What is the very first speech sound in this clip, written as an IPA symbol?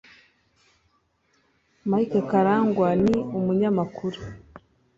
m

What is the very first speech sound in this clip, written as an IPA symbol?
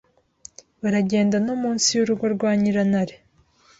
β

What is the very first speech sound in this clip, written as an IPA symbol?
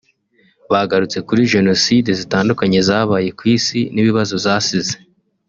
β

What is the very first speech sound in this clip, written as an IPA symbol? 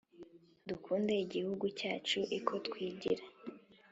d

